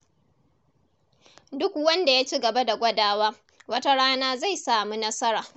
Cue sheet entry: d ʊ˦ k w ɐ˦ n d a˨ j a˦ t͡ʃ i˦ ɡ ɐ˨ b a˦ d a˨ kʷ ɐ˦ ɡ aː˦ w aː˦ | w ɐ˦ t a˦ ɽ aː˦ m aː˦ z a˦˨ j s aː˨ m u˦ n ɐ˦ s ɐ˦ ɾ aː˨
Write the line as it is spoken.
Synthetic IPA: d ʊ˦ k w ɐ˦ n d a˨ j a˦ t͡ʃ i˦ ɡ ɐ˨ b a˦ d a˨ ɡʷ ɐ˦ d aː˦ w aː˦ | w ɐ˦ t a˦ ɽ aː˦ n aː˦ z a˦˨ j s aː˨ m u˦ n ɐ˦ s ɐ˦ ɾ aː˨

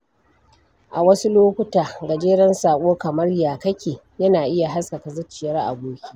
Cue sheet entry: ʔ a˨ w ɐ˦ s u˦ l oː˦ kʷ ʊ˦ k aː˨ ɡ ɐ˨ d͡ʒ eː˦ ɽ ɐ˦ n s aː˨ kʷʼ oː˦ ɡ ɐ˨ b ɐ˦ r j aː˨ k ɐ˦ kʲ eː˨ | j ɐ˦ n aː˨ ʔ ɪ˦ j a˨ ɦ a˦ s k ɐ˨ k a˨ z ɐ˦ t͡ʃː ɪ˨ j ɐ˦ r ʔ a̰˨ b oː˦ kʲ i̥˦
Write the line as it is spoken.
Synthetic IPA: ʔ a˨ w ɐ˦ s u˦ l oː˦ kʷ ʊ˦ t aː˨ ɡ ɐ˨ d͡ʒ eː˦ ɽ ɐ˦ n s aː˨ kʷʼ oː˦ k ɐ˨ m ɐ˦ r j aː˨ k ɐ˦ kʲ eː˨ | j ɐ˦ n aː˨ ʔ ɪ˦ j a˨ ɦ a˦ s k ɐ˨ k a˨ z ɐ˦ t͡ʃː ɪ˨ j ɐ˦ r ʔ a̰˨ b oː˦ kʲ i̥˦

